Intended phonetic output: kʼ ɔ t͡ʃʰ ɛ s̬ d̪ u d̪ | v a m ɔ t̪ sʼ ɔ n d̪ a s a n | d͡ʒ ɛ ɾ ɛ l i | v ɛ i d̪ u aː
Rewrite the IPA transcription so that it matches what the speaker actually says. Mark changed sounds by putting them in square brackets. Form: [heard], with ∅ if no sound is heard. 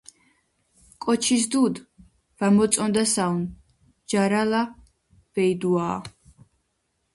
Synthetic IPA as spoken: kʼ ɔ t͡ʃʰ [i] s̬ d̪ u d̪ | v a m ɔ t̪ sʼ ɔ n d̪ a s a n | d͡ʒ [a] ɾ [a] l [a] | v ɛ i d̪ u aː